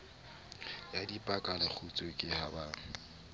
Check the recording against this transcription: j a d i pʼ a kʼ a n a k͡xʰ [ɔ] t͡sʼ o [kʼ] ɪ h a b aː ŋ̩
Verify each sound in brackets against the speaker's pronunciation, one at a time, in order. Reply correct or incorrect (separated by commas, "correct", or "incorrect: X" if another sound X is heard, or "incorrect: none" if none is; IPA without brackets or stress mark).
incorrect: u, correct